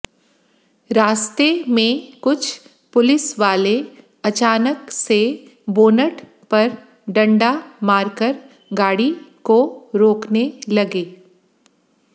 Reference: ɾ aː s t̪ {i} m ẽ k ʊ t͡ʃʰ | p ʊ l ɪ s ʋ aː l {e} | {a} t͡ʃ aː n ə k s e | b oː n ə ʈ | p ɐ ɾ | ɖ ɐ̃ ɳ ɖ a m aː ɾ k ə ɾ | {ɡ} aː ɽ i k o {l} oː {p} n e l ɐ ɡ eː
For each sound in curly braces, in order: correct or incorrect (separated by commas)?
incorrect, correct, incorrect, correct, incorrect, incorrect